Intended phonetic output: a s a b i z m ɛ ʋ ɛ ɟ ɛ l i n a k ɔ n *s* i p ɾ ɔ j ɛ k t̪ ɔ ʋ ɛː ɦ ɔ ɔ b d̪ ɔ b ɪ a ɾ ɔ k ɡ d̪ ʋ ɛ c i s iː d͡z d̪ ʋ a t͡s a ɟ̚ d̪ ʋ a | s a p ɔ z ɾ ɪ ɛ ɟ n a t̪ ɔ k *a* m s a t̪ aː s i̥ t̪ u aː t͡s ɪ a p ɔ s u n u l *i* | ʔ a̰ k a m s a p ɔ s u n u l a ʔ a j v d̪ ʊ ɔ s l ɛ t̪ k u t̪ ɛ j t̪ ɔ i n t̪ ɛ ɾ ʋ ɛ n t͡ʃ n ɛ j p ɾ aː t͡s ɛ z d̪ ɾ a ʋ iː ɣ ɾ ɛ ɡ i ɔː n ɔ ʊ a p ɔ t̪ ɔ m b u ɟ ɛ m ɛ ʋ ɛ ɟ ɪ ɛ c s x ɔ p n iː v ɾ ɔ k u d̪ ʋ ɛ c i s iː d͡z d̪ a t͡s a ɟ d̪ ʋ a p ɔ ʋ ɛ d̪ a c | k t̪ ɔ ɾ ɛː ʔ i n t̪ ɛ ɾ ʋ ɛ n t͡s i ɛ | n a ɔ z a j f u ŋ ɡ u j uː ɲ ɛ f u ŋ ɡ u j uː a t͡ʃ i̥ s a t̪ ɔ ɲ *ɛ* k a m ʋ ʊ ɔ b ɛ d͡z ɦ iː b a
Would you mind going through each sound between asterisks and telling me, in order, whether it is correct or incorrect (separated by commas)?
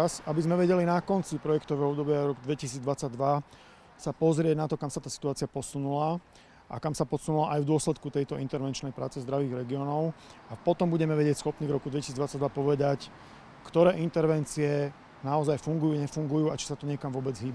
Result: incorrect, correct, incorrect, correct